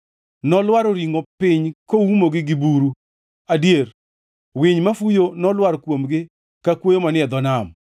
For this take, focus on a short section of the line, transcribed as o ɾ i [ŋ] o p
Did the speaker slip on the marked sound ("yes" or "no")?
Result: no